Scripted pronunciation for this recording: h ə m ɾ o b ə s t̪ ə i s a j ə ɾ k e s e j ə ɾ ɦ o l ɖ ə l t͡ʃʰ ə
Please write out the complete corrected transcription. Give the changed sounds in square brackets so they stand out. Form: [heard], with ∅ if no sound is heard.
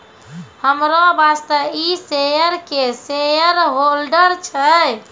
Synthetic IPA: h ə m ɾ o b [a] s t̪ ə i s [e] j ə ɾ k e s e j ə ɾ ɦ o l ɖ ə [ɾ] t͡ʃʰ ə